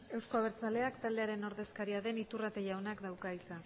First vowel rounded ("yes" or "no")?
no